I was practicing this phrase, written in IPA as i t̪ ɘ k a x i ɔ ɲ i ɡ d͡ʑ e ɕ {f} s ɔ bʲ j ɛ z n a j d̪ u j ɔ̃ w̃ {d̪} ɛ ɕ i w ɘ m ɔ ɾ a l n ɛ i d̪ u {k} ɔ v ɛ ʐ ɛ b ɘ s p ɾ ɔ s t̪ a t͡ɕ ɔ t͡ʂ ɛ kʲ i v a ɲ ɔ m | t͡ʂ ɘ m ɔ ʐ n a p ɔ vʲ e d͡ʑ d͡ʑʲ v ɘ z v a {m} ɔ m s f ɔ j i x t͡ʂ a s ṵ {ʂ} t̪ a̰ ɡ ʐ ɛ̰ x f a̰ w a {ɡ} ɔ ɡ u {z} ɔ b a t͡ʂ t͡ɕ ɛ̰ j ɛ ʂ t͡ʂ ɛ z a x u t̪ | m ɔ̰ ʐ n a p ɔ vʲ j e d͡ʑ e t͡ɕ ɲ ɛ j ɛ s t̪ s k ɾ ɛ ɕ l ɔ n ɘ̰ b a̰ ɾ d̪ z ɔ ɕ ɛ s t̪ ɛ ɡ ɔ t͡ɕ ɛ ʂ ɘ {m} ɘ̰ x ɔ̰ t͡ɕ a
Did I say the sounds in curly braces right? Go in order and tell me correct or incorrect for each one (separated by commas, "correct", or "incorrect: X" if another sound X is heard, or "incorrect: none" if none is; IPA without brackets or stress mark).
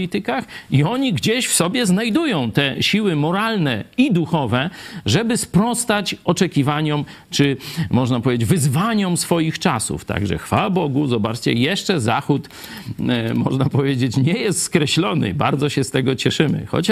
correct, incorrect: t̪, incorrect: x, incorrect: ɲ, incorrect: f, incorrect: b, correct, correct